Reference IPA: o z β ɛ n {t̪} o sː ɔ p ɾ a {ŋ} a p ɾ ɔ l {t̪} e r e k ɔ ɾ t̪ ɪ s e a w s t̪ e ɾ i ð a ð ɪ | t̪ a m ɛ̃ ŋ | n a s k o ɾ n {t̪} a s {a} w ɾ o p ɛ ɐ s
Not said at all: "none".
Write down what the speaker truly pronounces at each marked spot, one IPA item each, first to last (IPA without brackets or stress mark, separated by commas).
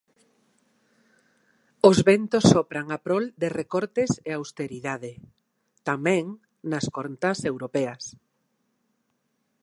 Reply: t̪, ŋ, d̪, t̪, e